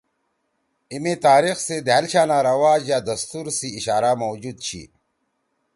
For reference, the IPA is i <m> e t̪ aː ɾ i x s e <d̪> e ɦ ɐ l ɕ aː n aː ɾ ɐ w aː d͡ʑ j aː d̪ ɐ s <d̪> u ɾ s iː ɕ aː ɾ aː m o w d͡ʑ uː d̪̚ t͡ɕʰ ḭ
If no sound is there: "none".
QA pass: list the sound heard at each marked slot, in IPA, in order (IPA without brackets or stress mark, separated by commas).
m, d̪, t̪